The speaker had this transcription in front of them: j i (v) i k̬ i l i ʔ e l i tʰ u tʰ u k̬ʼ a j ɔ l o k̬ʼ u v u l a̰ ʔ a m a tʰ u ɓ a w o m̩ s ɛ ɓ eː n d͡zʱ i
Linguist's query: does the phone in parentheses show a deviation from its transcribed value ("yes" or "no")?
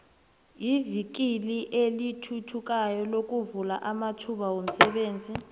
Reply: no